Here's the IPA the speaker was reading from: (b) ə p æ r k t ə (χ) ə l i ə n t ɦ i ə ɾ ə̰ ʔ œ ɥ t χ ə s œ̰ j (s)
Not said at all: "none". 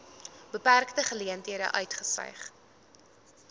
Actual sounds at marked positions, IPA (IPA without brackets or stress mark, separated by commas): b, χ, χ